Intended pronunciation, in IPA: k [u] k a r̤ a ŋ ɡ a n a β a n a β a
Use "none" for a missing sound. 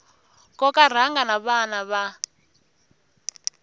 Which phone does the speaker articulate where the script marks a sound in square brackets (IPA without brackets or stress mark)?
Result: ɔ